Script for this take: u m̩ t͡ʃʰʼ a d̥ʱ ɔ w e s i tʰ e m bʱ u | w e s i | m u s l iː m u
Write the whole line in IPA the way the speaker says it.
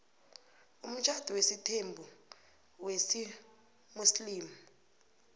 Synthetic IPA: u m̩ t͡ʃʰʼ a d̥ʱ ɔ w e s i tʰ e m bʱ u | w e s i | m u s l iː m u